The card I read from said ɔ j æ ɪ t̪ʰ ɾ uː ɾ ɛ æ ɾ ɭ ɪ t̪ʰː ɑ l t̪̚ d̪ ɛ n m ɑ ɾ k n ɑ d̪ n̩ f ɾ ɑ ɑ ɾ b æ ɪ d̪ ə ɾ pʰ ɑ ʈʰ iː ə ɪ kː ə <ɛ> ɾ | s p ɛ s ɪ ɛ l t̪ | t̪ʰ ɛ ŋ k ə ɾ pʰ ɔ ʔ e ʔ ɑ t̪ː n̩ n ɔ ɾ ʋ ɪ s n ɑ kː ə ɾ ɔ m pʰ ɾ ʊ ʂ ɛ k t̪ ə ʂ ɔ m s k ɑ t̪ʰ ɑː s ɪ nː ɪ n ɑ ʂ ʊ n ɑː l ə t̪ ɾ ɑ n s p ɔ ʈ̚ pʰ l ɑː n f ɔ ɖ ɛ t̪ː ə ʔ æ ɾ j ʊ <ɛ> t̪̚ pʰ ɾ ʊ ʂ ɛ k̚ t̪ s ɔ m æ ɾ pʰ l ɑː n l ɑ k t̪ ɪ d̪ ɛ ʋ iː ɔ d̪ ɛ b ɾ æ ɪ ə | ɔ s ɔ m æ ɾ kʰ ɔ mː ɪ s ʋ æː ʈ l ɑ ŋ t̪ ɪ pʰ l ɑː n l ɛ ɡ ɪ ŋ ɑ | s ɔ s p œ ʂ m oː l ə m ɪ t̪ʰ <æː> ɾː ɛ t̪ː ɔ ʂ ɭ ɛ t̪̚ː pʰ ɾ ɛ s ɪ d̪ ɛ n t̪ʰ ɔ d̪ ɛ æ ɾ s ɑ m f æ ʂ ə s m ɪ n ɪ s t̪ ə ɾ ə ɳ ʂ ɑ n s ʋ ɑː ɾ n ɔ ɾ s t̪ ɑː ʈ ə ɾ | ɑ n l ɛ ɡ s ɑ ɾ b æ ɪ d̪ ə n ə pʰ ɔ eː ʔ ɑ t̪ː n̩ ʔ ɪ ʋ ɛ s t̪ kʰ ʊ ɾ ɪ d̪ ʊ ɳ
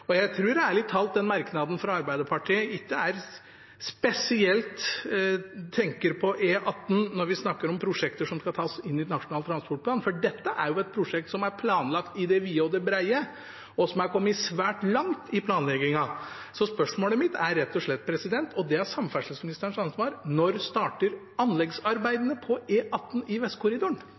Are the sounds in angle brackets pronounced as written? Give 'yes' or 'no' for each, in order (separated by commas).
no, yes, no